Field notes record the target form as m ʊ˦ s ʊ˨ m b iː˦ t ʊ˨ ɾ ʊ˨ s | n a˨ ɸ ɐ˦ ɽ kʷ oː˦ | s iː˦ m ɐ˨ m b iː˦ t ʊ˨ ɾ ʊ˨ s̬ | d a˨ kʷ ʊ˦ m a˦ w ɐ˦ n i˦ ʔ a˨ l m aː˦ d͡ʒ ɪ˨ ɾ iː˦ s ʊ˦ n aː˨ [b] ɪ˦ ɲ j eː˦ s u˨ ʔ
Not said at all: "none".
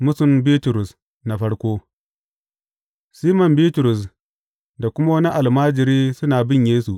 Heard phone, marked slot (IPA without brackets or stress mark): b